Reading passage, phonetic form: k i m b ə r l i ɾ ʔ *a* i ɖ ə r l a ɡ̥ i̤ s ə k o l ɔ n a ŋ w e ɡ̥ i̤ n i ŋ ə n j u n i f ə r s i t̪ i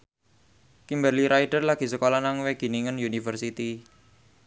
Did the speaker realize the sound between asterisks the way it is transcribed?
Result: yes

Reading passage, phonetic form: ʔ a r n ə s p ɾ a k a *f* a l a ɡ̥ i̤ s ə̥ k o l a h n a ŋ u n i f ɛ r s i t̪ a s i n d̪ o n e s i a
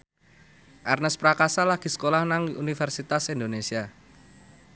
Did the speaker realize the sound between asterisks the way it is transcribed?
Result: no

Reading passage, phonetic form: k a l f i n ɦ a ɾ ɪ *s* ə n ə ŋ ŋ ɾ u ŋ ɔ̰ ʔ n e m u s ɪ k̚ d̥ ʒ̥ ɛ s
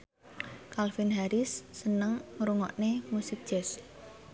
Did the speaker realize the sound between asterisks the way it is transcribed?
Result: no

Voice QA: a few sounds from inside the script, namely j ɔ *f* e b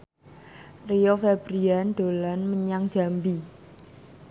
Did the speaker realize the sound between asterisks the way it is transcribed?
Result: yes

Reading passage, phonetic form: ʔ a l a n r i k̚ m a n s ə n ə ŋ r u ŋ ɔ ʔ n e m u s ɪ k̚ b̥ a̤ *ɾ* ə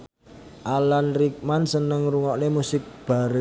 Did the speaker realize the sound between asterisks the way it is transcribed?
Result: yes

